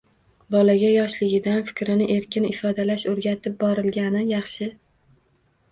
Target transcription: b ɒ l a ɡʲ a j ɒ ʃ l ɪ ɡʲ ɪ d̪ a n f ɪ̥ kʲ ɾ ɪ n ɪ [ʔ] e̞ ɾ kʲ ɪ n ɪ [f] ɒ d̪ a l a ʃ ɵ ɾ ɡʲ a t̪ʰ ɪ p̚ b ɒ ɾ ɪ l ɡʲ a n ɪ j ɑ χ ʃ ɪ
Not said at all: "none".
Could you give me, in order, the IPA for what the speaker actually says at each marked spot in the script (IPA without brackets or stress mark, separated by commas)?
ʔ, f